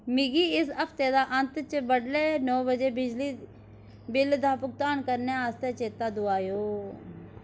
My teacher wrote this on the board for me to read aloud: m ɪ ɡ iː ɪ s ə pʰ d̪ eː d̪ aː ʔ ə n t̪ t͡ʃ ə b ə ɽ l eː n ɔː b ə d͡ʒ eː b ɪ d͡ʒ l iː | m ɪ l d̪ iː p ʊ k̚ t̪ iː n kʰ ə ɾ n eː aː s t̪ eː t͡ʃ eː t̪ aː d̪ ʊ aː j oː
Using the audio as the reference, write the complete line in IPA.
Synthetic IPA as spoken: m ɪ ɡ iː ɪ s ə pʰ t̪ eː d̪ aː ʔ ə n t̪ t͡ʃ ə b ə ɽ l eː n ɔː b ə d͡ʒ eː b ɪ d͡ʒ l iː | b ɪ l d̪ aː p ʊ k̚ t̪ aː n k ə ɾ n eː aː s t̪ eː t͡ʃ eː t̪ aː d̪ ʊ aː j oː